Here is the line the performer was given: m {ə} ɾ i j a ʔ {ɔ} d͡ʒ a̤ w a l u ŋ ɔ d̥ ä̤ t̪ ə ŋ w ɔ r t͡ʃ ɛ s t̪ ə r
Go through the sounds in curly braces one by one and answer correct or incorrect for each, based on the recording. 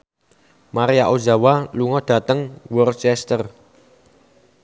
incorrect, incorrect

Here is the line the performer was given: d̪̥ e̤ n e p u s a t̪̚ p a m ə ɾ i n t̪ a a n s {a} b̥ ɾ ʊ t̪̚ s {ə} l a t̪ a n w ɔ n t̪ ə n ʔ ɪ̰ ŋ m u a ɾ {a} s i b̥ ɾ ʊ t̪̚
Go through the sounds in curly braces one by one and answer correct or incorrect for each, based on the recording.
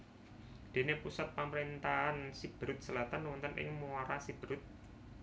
incorrect, correct, correct

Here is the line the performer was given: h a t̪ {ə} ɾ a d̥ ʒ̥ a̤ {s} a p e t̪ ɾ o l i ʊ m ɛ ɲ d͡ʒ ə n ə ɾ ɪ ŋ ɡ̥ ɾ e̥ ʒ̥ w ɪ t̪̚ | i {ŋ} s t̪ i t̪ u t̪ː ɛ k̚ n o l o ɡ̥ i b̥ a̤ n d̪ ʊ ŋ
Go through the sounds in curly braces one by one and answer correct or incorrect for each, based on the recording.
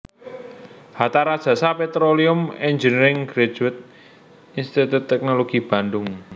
incorrect, correct, incorrect

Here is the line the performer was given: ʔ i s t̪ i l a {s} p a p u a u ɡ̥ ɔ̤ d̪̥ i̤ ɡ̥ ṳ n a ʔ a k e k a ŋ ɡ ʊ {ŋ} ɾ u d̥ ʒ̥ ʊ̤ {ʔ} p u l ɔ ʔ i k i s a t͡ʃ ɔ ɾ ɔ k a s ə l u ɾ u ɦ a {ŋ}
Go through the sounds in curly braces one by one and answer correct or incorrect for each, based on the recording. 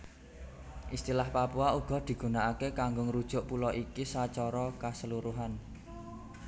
incorrect, correct, correct, incorrect

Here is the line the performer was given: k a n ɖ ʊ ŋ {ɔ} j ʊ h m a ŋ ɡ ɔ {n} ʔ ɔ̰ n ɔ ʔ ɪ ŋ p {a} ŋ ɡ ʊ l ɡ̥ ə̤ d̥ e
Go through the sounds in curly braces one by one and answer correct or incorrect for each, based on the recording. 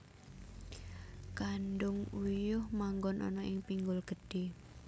incorrect, correct, incorrect

